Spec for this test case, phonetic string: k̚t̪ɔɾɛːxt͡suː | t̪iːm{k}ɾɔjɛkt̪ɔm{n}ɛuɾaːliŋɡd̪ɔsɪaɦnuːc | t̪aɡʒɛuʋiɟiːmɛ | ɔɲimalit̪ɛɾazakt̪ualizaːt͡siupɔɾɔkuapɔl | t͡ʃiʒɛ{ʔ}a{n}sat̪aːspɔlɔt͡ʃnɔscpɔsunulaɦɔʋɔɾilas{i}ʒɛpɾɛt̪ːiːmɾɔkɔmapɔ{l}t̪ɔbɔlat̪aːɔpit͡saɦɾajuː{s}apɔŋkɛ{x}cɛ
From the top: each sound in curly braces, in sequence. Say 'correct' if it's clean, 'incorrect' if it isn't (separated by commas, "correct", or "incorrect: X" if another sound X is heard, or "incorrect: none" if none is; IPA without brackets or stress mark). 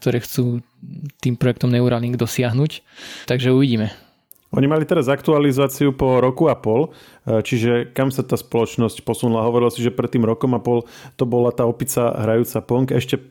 incorrect: p, correct, incorrect: k, incorrect: m, correct, correct, incorrect: t͡s, incorrect: ʃ